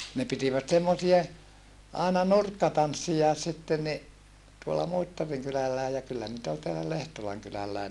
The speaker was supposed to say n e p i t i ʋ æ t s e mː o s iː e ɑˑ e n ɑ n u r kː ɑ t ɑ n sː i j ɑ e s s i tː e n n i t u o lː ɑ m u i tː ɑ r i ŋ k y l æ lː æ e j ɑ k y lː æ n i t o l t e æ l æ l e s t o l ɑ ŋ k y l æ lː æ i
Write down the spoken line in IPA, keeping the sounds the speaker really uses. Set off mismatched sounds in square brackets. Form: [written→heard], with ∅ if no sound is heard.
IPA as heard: n e p i t i ʋ æ t s e mː o s [iː→i] e ɑˑ e n ɑ n u r kː ɑ t ɑ n sː i j ɑ e s s i tː e n n i t u o lː ɑ m u i tː ɑ r i ŋ k y l æ lː æ e j ɑ k y lː æ n i t o l t e æ l æ l e [s→h] t o l ɑ ŋ k y l æ lː æ i